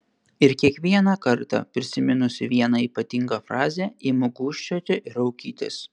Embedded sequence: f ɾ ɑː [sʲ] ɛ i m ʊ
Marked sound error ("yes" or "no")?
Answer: yes